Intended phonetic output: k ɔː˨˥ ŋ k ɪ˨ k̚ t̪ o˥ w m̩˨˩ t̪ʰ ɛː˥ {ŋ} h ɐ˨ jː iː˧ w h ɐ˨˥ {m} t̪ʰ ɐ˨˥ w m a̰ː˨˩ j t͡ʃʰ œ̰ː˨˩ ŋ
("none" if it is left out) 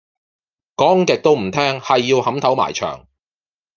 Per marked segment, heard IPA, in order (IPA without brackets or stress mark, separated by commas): ŋ, m